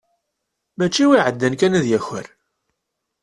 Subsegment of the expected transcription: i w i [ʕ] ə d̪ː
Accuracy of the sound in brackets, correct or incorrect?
correct